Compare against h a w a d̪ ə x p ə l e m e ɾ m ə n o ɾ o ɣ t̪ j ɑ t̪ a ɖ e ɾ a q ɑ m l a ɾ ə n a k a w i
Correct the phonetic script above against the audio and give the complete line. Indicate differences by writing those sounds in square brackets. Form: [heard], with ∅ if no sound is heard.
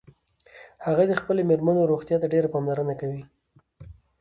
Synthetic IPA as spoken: h a [ɣ] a d̪ ə x p ə l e m e ɾ m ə n o ɾ o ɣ t̪ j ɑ t̪ a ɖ e ɾ a [p] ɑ m l a ɾ ə n a k a w i